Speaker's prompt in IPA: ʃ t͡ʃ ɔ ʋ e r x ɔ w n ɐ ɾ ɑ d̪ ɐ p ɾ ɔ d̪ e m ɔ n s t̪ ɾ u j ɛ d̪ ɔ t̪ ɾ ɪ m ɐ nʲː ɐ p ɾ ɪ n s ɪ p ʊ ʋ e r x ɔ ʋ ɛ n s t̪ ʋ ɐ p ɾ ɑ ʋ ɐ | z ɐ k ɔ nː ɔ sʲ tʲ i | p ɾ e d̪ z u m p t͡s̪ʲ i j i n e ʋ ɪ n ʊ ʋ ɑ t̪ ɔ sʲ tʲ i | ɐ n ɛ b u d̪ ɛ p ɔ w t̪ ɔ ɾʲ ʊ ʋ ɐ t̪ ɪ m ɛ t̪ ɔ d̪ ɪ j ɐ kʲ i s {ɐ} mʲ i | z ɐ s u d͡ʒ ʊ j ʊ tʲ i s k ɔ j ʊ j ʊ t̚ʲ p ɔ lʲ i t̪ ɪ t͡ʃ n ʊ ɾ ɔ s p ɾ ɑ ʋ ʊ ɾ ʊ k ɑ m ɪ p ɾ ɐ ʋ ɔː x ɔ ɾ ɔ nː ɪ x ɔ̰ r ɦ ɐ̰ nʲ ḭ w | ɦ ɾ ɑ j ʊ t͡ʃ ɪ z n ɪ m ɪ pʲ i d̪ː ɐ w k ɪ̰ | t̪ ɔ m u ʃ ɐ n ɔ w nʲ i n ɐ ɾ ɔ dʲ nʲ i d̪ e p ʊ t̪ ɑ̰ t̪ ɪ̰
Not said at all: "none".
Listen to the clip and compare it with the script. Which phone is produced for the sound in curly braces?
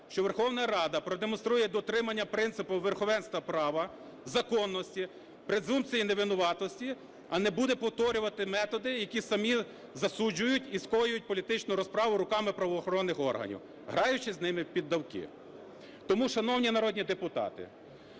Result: ɐ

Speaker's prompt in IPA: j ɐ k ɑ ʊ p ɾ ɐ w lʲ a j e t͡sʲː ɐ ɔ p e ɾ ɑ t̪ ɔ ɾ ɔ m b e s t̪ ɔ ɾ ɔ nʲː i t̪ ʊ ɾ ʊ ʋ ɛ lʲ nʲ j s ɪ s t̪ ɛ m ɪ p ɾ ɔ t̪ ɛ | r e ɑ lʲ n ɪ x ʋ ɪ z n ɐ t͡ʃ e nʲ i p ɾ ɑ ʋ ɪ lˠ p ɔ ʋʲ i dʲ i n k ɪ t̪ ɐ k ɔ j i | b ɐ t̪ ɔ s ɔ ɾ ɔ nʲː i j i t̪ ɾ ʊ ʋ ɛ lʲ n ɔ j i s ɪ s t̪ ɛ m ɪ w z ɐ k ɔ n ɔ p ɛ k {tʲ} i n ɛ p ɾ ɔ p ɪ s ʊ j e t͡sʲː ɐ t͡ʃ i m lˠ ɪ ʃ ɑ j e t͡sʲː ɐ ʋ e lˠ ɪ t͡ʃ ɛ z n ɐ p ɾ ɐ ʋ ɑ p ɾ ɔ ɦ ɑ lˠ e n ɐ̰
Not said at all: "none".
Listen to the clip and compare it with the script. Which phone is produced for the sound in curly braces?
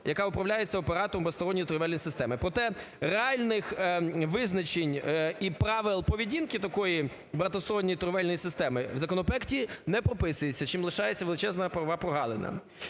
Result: tʲ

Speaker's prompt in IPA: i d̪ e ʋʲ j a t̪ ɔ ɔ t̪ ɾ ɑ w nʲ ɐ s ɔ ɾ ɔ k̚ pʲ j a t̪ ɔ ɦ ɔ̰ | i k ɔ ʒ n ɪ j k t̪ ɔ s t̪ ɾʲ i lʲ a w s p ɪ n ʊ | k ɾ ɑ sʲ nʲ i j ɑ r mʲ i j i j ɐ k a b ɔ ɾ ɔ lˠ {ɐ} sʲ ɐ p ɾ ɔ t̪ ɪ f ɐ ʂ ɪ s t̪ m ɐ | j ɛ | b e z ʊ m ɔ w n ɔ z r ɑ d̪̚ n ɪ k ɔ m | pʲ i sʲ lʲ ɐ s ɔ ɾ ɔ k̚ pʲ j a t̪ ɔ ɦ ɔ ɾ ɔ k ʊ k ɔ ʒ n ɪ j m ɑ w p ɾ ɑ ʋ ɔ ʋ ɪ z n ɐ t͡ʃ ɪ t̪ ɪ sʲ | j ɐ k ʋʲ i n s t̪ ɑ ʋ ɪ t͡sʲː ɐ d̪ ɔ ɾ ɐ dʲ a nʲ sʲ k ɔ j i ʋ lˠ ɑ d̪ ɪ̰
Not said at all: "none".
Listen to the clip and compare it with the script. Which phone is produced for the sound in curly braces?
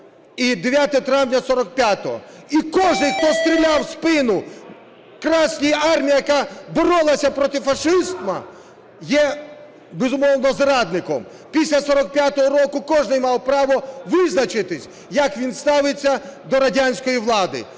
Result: ɐ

